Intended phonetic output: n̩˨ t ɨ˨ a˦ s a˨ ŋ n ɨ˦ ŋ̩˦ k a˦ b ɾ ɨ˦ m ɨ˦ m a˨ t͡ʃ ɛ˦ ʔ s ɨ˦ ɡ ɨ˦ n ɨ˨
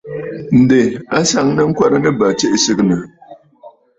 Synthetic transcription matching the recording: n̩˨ d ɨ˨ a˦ s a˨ ŋ n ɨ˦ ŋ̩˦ k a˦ ɾ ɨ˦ n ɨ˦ b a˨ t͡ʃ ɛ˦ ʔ s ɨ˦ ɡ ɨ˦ n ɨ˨

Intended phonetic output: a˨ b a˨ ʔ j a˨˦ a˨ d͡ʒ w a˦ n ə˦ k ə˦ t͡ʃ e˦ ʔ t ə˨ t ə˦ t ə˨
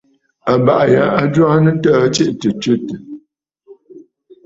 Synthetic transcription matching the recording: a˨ b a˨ ʔ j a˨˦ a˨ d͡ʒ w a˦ n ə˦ t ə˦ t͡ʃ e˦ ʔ t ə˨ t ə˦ t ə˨

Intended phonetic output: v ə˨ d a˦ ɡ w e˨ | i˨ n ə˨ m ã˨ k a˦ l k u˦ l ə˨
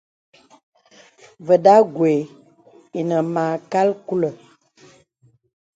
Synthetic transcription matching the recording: v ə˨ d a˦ ɡ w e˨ | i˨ n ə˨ m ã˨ k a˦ l k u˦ l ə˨

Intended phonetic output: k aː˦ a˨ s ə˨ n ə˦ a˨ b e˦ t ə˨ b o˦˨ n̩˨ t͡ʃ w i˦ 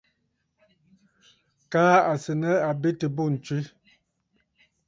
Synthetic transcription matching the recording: k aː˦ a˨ s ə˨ n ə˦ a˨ b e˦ t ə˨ b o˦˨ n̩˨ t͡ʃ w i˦

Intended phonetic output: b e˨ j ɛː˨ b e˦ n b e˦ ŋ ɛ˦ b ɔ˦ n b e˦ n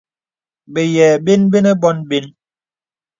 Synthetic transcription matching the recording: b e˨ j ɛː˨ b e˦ n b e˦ n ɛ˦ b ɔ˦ n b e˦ n

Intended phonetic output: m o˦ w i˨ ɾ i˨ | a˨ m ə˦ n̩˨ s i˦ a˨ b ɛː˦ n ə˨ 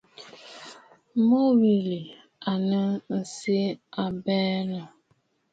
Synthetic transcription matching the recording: m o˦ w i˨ l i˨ | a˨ n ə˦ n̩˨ s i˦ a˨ b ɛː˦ n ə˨

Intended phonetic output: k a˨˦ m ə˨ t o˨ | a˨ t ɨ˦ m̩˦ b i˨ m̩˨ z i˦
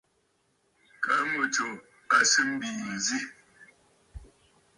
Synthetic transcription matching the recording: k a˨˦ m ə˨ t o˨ | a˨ s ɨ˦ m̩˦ b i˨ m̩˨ z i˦

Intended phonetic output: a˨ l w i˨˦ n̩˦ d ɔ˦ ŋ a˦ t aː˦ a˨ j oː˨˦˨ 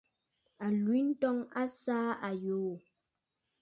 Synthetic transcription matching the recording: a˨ l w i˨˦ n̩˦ t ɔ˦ ŋ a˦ s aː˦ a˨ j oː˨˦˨

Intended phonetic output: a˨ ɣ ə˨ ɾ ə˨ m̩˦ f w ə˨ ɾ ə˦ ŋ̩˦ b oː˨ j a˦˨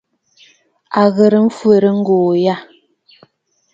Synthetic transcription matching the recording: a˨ ɣ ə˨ ɾ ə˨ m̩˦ f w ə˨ ɾ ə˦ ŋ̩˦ ɡ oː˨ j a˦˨

